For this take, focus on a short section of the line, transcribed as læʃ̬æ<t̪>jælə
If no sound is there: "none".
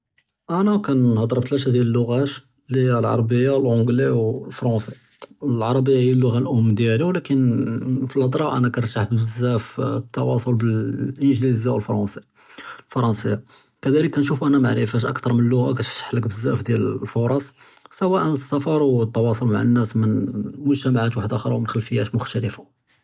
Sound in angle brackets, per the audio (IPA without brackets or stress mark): d̪